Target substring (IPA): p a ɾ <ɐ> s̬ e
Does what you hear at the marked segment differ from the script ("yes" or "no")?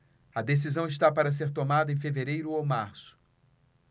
no